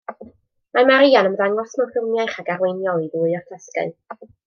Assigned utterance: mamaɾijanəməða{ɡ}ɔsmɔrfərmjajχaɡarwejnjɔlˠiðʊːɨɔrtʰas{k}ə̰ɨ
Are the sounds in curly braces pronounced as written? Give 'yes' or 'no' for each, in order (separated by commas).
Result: no, yes